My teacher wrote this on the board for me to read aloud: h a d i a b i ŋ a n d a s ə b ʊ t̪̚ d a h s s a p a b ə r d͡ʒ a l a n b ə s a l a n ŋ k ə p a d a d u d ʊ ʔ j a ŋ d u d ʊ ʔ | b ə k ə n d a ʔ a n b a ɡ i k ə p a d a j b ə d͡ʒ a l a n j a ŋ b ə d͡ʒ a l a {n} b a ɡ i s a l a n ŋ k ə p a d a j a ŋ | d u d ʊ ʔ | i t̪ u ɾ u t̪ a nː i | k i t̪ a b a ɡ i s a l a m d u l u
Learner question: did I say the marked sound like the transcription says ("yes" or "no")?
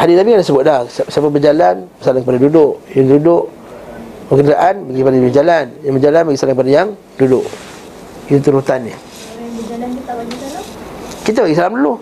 yes